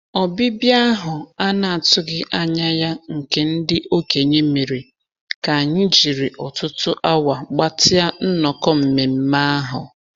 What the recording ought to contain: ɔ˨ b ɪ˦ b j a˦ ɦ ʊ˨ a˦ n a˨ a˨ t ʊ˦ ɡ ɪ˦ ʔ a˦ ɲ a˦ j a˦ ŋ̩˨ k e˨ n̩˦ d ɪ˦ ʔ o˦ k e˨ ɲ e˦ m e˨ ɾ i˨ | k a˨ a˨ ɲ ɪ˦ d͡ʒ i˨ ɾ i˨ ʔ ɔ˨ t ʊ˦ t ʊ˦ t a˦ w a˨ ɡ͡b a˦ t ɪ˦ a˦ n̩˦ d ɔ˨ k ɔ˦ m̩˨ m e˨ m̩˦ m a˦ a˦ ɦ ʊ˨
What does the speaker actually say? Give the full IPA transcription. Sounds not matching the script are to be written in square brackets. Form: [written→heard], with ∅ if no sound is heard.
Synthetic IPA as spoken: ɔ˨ b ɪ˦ b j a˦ ɦ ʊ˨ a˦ n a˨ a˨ t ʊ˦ ɡ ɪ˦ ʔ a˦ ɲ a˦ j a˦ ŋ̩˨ k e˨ n̩˦ d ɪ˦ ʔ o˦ k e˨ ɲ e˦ m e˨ ɾ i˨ | k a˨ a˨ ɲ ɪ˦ d͡ʒ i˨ ɾ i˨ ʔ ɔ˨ t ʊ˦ t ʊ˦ [t→ʔ] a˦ w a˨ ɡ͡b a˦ t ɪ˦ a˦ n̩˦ [d→n] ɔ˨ k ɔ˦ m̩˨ m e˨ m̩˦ m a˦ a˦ ɦ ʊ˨